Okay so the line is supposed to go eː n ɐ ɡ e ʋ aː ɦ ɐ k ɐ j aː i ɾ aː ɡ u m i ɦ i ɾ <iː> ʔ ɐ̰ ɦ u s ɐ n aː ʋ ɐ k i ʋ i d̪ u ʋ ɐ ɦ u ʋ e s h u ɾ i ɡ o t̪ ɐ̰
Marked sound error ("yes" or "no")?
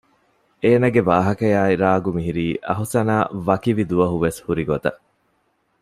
no